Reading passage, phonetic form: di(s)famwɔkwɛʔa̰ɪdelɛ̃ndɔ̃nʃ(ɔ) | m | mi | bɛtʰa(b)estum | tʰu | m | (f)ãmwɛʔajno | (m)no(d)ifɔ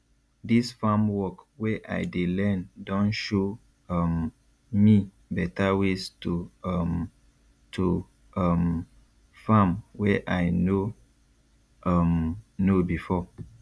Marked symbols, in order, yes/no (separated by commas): yes, no, no, yes, yes, no